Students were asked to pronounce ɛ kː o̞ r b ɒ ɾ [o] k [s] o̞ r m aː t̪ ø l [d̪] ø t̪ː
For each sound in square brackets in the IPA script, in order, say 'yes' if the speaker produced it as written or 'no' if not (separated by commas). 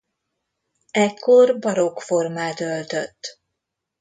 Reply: yes, no, no